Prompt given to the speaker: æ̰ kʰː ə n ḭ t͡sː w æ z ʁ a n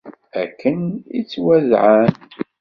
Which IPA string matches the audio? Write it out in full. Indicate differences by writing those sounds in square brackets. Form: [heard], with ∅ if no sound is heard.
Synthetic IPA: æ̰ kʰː ə n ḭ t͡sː w æ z [ʕ] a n